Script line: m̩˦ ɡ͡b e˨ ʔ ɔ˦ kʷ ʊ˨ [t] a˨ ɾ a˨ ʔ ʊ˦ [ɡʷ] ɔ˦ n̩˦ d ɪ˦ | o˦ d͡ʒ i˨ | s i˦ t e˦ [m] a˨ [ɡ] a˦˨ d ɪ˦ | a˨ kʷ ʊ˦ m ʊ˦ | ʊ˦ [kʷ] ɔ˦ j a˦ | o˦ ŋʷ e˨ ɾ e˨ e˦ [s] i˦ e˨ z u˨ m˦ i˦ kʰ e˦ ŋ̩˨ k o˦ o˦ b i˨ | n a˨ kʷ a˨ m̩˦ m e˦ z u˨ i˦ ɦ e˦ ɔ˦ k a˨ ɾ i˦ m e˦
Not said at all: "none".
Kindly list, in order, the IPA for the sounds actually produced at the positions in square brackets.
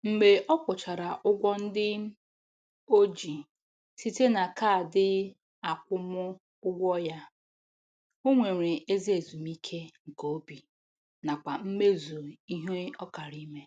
t͡ʃ, ɡʷ, n, k, ɡʷ, z

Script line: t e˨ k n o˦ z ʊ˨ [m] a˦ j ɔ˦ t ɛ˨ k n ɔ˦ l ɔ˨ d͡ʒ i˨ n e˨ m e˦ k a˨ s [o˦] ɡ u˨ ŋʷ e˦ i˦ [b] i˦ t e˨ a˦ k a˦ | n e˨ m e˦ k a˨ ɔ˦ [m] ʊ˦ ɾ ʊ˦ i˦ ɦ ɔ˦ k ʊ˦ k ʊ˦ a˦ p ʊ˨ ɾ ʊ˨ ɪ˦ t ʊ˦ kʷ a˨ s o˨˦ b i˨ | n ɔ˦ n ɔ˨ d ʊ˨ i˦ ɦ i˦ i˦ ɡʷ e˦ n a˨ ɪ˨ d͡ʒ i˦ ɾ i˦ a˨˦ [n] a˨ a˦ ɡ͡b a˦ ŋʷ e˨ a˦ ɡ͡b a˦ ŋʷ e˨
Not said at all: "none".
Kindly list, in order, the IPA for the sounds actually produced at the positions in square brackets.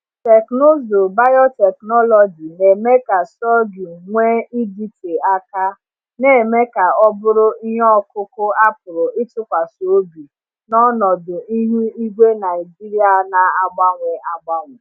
b, ɔ˦, d, b, n

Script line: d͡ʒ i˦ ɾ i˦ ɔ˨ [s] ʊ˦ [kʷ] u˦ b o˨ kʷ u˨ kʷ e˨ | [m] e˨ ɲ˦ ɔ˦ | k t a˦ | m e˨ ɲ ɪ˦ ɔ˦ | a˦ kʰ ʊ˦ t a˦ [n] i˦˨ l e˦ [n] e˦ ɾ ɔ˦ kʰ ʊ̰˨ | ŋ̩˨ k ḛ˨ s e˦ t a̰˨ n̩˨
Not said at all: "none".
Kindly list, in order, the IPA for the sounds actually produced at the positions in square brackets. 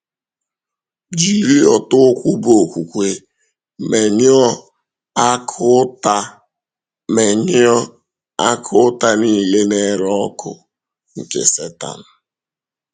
t, kʷ, m, n, n

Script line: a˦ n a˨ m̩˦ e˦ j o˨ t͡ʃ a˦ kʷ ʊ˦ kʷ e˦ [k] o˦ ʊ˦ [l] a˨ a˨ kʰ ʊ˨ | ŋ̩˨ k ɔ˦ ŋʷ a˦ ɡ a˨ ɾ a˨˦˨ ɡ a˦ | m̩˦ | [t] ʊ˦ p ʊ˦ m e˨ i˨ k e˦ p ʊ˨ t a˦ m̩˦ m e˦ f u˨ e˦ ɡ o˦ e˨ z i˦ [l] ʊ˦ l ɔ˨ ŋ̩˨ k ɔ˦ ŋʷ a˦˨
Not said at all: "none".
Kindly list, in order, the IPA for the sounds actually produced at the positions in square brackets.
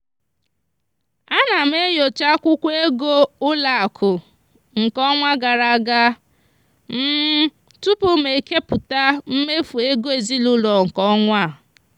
ɡ, l, t, l

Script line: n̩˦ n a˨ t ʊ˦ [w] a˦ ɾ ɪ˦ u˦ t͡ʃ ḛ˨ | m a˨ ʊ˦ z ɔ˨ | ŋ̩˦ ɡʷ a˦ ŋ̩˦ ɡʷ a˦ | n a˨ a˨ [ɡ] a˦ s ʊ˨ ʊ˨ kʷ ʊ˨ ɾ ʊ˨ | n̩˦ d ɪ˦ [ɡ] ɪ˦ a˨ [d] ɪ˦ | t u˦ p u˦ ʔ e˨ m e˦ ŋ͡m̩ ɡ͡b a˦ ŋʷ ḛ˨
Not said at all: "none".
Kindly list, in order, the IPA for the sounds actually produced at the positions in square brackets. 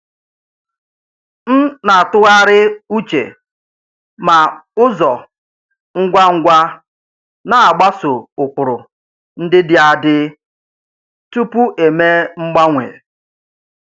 ɣ, ɡ͡b, d, d

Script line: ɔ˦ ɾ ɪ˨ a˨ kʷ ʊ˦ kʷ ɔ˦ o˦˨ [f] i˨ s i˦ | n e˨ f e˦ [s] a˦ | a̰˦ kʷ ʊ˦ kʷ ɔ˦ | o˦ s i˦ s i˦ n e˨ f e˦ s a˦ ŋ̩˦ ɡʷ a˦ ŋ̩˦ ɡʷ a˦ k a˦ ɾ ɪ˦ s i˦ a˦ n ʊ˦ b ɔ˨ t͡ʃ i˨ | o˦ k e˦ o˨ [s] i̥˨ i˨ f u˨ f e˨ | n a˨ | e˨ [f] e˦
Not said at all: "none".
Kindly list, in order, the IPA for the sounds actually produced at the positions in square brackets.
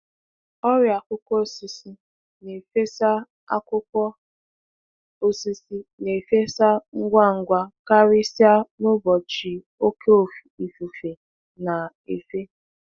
s, s, f, f

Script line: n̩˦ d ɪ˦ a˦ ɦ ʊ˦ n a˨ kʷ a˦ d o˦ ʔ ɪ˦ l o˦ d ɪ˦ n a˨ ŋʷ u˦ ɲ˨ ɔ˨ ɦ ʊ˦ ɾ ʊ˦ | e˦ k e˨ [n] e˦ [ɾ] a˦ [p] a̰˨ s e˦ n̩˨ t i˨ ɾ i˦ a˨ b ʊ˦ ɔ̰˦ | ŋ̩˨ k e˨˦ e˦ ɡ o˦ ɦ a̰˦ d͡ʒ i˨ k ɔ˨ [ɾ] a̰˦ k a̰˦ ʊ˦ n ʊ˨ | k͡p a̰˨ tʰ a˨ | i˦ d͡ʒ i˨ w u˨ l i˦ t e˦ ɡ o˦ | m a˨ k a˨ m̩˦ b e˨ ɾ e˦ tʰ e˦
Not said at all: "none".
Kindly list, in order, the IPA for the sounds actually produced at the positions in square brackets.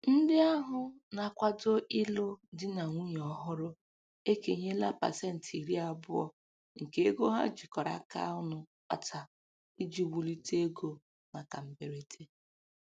ɲ, l, p, ɾ

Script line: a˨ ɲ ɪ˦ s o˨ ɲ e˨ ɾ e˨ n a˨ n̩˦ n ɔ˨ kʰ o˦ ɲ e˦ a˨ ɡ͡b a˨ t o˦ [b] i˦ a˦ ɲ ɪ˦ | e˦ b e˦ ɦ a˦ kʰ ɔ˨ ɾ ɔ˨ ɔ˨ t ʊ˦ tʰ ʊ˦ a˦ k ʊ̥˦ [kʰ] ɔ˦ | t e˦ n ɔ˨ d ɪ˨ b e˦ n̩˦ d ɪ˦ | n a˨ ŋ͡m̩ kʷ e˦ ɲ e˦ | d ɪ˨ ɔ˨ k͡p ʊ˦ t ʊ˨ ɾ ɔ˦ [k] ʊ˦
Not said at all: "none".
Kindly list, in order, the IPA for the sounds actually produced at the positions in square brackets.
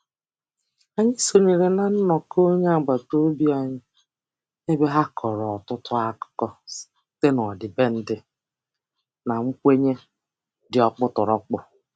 b, k, k͡p

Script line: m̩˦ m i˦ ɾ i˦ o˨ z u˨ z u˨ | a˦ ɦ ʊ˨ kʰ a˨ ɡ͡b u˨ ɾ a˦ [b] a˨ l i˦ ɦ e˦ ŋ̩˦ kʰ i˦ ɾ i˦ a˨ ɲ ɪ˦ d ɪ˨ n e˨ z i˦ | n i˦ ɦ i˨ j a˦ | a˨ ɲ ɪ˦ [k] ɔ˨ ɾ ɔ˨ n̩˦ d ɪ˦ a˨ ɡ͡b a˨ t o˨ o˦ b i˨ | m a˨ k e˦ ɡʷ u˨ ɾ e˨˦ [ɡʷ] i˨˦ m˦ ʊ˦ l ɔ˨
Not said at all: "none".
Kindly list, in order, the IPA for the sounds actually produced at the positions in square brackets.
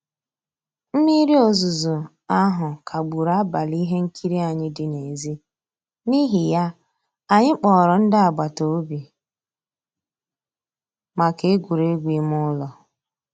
b, k͡p, ɡʷ

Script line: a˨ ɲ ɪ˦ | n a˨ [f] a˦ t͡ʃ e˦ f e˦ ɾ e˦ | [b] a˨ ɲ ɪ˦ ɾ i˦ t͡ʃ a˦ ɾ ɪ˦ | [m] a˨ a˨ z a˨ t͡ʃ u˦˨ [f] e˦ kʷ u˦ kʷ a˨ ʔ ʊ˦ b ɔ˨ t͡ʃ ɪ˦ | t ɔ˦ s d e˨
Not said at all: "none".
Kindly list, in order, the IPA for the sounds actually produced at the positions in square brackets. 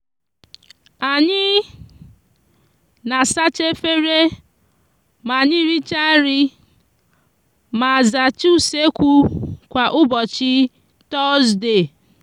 s, m, m, s

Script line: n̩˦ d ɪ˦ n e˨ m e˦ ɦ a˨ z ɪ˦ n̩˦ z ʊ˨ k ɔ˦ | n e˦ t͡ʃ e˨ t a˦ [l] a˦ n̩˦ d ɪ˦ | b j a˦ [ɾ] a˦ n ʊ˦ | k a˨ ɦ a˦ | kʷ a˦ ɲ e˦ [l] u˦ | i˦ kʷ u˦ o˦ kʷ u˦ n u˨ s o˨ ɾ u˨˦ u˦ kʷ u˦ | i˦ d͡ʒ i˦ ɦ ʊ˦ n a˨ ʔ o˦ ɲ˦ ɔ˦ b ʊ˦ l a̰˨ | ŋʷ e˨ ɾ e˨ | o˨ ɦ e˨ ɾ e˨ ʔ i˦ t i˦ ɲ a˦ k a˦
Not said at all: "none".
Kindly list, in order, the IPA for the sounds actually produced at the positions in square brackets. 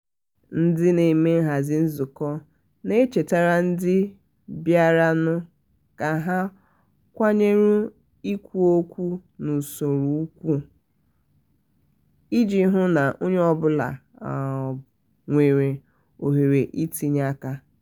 ɾ, ɾ, ɾ

